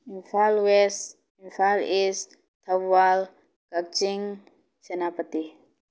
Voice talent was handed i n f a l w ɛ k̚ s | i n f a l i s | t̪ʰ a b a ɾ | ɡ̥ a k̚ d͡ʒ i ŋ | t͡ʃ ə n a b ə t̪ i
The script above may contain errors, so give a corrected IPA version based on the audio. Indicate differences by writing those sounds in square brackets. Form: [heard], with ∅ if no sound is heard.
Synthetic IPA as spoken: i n f a l w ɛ [∅] s | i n f a l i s | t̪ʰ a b a [l] | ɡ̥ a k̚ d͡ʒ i ŋ | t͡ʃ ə n a [p] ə t̪ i